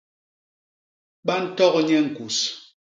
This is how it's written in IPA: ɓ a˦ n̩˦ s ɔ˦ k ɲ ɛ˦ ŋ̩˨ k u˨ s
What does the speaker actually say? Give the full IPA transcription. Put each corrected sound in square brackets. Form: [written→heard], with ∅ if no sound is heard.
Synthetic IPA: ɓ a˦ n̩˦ [s→t] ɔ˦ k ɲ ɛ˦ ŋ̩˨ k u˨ s